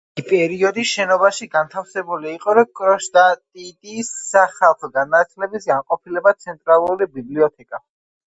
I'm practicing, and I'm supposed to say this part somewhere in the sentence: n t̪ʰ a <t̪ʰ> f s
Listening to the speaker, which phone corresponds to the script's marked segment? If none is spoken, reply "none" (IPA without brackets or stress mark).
none